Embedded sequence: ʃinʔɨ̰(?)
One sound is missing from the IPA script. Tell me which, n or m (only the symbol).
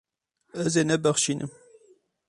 m